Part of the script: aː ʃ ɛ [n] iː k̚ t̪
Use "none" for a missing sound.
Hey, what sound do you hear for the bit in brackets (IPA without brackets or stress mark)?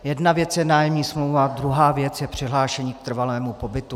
ɲ